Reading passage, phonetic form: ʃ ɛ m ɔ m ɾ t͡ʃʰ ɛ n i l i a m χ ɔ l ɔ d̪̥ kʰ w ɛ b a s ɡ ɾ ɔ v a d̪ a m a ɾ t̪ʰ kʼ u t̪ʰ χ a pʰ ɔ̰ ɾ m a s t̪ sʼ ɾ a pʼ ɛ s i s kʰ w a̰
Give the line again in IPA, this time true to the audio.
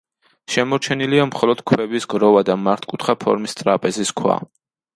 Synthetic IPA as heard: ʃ ɛ m ɔ ɾ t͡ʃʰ ɛ n i l i a m χ ɔ l ɔ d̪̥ kʰ w ɛ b i s ɡ ɾ ɔ v a d̪ a m a ɾ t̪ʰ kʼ u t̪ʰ χ a pʰ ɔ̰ ɾ m i s t̪ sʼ ɾ a pʼ ɛ z i s kʰ w a̰